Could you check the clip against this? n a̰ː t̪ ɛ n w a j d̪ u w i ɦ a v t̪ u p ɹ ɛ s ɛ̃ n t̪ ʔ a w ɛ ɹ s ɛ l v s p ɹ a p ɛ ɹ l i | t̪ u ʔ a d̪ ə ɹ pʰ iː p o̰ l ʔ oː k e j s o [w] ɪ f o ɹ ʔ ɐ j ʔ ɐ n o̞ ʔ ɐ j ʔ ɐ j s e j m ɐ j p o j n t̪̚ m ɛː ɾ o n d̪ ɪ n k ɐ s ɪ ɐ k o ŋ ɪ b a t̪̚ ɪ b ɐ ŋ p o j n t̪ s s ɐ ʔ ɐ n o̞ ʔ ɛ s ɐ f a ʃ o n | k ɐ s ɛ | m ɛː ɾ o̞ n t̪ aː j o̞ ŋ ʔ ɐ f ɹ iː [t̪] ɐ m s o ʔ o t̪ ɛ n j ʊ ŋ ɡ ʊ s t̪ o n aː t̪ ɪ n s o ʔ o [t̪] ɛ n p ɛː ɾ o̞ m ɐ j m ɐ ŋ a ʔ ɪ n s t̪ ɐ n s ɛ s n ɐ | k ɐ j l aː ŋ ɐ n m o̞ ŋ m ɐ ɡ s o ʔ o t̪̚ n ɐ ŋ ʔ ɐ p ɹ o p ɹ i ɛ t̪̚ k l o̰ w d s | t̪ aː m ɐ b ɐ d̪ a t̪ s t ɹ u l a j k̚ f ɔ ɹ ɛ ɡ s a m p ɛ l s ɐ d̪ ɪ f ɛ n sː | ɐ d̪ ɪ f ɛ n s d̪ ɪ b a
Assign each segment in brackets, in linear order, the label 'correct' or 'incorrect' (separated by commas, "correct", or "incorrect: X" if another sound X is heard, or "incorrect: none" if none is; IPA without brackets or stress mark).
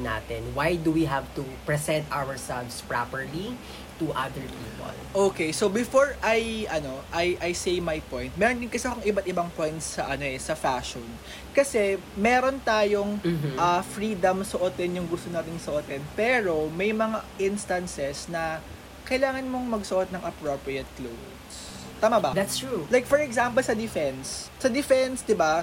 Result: incorrect: b, incorrect: d̪, correct